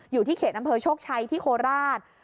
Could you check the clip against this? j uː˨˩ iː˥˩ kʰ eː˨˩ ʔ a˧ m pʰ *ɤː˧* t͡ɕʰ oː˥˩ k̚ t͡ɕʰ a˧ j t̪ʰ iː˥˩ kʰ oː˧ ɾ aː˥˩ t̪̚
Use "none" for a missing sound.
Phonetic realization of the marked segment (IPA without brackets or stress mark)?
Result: ɤː˧